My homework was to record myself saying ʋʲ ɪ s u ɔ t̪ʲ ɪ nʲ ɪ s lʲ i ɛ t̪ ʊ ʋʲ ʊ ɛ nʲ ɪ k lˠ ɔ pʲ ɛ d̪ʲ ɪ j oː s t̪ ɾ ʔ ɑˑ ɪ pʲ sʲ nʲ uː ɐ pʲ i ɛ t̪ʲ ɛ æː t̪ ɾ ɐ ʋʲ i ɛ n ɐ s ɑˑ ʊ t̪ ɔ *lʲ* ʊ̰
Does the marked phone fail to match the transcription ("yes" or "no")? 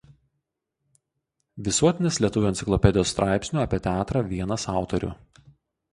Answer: yes